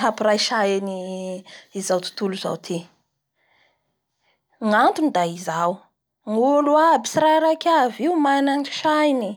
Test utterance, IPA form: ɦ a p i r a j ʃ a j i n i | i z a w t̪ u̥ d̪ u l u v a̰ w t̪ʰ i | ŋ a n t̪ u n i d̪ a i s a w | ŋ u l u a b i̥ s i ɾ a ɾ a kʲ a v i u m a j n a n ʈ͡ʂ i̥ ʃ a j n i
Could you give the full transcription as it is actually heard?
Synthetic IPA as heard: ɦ a p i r a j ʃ a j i n i | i z a w t̪ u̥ t̪ u l u z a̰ w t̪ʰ i | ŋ a n t̪ u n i d̪ a i z a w | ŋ u l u a b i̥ s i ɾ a ɾ a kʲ a v i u m a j n a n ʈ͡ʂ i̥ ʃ a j n i

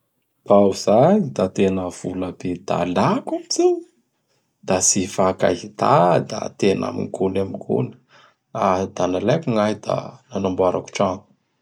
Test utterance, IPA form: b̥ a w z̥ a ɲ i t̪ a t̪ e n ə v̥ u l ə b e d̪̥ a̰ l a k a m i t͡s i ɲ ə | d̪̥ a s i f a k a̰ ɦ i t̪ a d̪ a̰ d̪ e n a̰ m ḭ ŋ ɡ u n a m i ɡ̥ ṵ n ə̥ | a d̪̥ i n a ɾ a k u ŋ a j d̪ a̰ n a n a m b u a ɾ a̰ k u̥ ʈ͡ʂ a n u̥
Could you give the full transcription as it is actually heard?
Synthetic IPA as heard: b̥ a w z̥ a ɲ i d̪ a t̪ e n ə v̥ u l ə b e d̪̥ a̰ l a k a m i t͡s i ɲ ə | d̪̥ a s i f a k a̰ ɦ i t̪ a d̪ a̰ t̪ e n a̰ m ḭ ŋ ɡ u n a m i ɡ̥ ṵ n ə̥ | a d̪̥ a n a l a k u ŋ a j d̪ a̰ n a n a m b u a ɾ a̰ k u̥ ʈ͡ʂ a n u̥

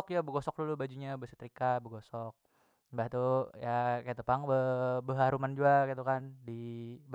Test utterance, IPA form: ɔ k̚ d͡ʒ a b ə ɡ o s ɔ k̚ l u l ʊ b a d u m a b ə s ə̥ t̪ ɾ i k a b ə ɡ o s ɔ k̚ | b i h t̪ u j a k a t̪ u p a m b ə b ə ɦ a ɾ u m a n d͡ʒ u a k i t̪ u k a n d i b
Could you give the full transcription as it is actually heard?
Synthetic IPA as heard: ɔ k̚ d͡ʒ a b ə ɡ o s ɔ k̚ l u l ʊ b a d͡ʒ u ɲ a b ə s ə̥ t̪ ɾ i k a b ə ɡ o s ɔ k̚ | b a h t̪ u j a k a t̪ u p a ŋ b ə b ə ɦ a ɾ u m a n d͡ʒ u a k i t̪ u k a n d i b

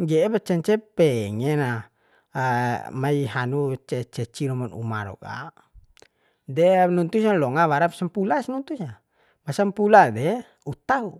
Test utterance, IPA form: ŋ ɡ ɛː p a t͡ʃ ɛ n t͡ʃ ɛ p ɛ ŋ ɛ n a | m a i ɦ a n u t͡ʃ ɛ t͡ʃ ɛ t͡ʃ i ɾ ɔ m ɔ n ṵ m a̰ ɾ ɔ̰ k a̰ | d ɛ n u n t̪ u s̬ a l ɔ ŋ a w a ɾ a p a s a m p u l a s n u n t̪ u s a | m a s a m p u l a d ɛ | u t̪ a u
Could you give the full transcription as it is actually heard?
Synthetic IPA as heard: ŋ ɡ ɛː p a t͡ʃ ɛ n t͡ʃ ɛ p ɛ ŋ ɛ n a | m a i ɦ a n u t͡ʃ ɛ t͡ʃ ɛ t͡ʃ i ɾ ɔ m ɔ n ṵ m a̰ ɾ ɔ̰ k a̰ | d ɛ n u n t̪ u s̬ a l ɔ ŋ a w a ɾ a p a s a m p u l a s n u n t̪ u s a | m a s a m p u l a d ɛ | u t̪ a u

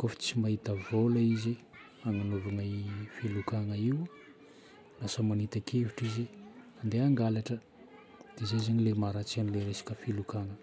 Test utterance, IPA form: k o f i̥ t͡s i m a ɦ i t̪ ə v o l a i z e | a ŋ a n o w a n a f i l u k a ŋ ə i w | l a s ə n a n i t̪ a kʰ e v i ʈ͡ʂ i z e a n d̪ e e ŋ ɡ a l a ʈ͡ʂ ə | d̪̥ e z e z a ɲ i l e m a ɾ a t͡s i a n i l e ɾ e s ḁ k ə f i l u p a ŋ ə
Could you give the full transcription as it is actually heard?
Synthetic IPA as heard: k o f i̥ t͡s i m a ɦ i t̪ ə v o l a i z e | a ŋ a n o v a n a f i l u k a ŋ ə i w | l a s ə m a n i t̪ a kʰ e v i ʈ͡ʂ i z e a n d̪ e a ŋ ɡ a l a ʈ͡ʂ ə | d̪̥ e z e z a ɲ i l e m a ɾ a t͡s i a n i l e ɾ e s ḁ k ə f i l u k a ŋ ə

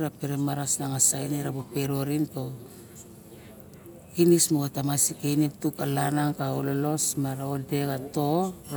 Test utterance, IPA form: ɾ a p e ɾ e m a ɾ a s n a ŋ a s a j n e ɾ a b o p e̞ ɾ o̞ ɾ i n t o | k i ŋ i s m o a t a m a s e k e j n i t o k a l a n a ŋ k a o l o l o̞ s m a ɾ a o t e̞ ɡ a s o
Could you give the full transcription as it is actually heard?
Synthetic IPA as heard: ɾ a p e ɾ e m a ɾ a s n a ŋ a s a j n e ɾ a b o p e̞ ɾ o̞ ɾ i n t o | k i n i s m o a t a m a s i k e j n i t u k a l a n a ŋ k a o l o l o̞ s m a ɾ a o d e̞ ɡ a t o

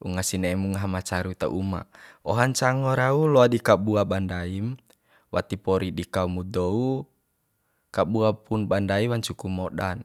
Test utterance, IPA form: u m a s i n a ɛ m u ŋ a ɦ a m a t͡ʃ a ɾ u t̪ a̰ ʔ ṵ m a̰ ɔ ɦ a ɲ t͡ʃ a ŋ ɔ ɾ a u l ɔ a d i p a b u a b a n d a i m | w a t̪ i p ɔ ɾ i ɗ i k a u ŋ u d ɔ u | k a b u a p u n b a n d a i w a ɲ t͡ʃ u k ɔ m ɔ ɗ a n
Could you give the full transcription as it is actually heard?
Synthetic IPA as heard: u ŋ a s i n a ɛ m u ŋ a ɦ a m a t͡ʃ a ɾ u t̪ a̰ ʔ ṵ m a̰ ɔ ɦ a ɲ t͡ʃ a ŋ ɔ ɾ a u l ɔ a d i k a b u a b a n d a i m | w a t̪ i p ɔ ɾ i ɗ i k a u m u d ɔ u | k a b u a p u n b a n d a i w a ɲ t͡ʃ u k u m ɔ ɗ a n

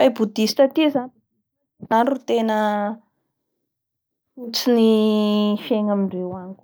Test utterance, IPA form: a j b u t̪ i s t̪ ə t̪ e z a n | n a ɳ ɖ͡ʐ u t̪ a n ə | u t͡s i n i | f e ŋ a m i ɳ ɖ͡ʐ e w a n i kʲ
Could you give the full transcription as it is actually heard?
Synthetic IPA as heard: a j b u d̪ i s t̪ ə t̪ i z a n | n a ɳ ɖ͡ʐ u t̪ e n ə | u t͡s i n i | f e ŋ a m i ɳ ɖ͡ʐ e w a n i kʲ

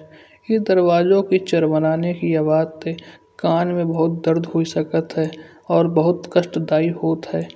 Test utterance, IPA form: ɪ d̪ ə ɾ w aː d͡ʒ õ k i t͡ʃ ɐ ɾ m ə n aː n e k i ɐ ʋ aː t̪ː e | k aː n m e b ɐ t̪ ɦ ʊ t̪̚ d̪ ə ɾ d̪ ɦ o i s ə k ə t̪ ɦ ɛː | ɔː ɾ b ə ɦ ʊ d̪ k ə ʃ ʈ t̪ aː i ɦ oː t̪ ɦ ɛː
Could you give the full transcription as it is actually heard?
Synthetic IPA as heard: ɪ d̪ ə ɾ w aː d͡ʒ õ k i t͡ʃ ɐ ɾ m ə n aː n e k i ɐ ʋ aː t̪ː e | k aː n m ẽ b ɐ ɦ ʊ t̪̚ d̪ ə ɾ d̪ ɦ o i s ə k ə t̪ ɦ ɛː | ɔː ɾ b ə ɦ ʊ t̪ k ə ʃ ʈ d̪ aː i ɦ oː t̪ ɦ ɛː

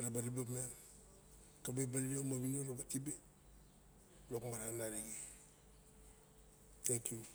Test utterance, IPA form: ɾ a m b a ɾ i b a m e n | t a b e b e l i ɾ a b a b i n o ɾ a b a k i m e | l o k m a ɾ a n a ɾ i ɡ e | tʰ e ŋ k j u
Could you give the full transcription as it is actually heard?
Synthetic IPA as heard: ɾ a b a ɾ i b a m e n | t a b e b a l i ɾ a m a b i n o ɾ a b a t i b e | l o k m a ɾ a n a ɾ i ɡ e | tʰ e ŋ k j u

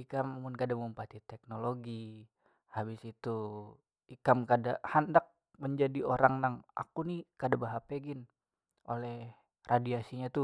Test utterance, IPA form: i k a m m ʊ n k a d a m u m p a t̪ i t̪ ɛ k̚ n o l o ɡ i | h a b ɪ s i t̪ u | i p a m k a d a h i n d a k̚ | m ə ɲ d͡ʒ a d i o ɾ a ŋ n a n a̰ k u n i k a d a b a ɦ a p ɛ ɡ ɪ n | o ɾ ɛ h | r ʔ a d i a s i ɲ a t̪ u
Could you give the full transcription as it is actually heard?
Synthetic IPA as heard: i k a m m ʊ n k a d a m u m p a t̪ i t̪ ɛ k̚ n o l o ɡ i | h a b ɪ s i t̪ u | i k a m k a d a h a n d a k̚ | m ə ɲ d͡ʒ a d i o ɾ a ŋ n a ŋ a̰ k u n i k a d a b a ɦ a p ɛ ɡ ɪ n | o l ɛ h | r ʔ a d i a s i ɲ a t̪ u

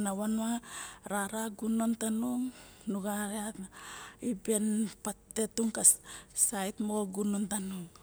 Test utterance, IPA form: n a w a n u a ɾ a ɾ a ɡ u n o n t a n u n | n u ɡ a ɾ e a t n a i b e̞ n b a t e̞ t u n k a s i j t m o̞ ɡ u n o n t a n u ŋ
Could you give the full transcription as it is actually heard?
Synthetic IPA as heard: n a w a n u a ɾ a ɾ a ɡ u n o n t a n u ŋ | n u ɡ a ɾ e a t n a i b e̞ n p a t e̞ t u ŋ k a s a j t m o̞ ɡ u n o n t a n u ŋ

